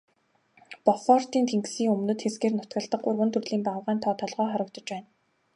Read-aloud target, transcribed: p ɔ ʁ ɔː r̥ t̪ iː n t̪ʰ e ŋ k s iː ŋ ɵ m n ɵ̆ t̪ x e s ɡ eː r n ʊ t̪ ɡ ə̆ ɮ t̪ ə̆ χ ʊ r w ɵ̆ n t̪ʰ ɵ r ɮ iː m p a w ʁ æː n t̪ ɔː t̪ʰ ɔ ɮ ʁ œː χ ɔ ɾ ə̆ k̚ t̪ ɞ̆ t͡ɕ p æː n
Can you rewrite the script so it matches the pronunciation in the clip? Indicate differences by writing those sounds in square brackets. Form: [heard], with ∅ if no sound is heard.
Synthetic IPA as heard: p ɔ [χ] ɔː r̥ t̪ iː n t̪ʰ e ŋ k s iː ŋ ɵ m n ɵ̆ t̪ x e s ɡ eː r n ʊ t̪ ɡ ə̆ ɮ t̪ ə̆ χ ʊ r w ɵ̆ n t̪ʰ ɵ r ɮ iː m p a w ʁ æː n [t̪ʰ] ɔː t̪ʰ ɔ ɮ ʁ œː χ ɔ ɾ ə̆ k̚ t̪ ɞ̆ t͡ɕ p æː n

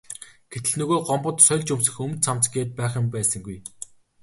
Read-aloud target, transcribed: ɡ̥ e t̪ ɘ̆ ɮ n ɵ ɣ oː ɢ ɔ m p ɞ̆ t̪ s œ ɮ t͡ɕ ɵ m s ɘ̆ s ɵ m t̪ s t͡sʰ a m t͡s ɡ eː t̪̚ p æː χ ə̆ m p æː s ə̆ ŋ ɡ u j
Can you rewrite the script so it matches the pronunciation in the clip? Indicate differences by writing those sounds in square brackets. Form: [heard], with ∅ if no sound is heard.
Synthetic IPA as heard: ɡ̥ e t̪ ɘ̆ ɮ n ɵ ɣ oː ɢ ɔ m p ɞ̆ t̪ s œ ɮ t͡ɕ ɵ m s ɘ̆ [x] ɵ m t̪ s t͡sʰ a m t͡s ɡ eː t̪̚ p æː χ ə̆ m p æː s ə̆ ŋ ɡ u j

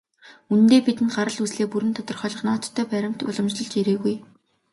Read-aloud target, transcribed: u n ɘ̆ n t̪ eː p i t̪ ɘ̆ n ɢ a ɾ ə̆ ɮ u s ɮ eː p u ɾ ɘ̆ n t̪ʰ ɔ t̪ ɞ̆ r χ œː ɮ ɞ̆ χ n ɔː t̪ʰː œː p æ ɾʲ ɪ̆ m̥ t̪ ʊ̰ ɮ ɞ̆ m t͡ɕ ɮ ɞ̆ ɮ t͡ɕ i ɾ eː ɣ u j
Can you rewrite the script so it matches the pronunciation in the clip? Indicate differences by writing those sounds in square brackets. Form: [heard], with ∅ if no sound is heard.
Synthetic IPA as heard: u n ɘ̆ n t̪ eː p i t̪ ɘ̆ n ɢ a ɾ ə̆ ɮ u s ɮ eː p u ɾ ɘ̆ n t̪ʰ ɔ t̪ ɞ̆ r χ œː ɮ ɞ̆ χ n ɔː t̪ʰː œː p æ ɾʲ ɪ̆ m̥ t̪ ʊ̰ ɮ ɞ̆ m t͡ɕ ɮ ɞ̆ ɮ t͡ɕ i ɾ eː ɣ u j

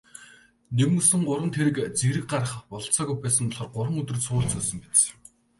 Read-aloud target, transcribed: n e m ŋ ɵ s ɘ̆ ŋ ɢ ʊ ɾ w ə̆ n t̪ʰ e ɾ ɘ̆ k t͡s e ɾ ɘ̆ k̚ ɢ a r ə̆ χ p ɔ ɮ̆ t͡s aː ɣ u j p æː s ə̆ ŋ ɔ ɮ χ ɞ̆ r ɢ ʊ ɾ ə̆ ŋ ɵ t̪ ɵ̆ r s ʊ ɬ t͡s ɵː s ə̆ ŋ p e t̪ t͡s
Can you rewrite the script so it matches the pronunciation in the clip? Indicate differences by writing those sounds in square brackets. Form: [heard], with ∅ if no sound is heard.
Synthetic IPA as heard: n e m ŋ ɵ s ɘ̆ ŋ ɢ ʊ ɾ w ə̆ n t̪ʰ e ɾ ɘ̆ k t͡s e ɾ ɘ̆ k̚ ɢ a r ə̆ χ p ɔ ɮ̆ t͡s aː ɣ u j p æː s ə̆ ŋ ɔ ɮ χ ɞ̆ r ɢ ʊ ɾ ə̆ ŋ ɵ t̪ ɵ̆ r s [ʊː] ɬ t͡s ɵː s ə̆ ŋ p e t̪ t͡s

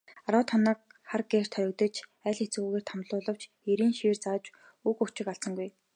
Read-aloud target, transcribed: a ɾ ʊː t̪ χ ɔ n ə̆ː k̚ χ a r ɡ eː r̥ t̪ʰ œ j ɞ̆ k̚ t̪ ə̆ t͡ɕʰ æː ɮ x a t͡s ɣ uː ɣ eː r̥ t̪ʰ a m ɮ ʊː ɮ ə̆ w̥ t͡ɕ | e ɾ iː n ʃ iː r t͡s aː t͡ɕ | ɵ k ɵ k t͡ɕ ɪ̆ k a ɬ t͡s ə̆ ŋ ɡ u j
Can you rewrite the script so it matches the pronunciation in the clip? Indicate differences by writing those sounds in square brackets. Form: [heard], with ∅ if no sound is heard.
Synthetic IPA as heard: a ɾ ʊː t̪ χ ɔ n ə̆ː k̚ χ a r ɡ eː r̥ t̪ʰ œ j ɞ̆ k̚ t̪ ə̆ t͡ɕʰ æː ɮ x [e] t͡s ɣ uː ɣ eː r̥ t̪ʰ a m ɮ ʊː ɮ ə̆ w̥ t͡ɕ | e ɾ iː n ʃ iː r t͡s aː t͡ɕ | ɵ k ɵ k t͡ɕ ɪ̆ k a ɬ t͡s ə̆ ŋ ɡ u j

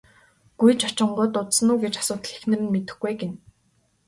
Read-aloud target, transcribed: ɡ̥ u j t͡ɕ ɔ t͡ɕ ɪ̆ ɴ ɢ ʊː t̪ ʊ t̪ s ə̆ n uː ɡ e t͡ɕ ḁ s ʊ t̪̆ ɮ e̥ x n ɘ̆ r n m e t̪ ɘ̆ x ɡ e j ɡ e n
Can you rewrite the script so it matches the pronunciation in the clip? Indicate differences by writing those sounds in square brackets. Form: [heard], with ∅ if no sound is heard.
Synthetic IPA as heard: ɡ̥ u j t͡ɕ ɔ t͡ɕ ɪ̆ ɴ ɢ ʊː t̪ ʊ t̪ s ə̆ n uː ɡ e t͡ɕ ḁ s [ʊː] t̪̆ ɮ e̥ x n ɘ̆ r n m e t̪ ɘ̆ x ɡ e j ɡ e n

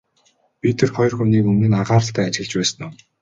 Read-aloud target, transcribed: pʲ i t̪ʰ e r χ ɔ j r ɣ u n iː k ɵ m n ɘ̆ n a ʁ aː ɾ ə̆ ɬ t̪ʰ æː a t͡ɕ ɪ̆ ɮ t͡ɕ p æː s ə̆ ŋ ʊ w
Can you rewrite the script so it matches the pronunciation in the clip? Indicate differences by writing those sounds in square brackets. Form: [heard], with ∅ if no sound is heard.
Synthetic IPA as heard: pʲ i t̪ʰ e r χ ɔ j r [x] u n iː k ɵ m n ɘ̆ n a ʁ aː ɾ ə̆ ɬ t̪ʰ æː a t͡ɕ ɪ̆ ɮ t͡ɕ p æː s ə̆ [n] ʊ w

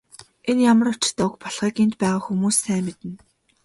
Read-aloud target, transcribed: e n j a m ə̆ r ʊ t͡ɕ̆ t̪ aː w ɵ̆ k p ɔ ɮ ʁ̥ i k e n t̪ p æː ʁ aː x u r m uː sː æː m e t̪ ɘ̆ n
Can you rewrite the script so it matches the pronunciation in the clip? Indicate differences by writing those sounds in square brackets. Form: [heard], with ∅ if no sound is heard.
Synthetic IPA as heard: e n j a m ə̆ r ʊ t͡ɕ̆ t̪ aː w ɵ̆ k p ɔ ɮ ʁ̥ [iː] k e n t̪ p æː ʁ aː x u [∅] m uː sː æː m e t̪ ɘ̆ n

